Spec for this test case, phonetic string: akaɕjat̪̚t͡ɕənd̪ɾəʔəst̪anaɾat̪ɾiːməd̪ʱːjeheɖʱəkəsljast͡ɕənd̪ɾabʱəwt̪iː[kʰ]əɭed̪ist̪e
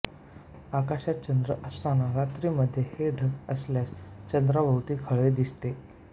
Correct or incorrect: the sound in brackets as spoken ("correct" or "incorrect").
correct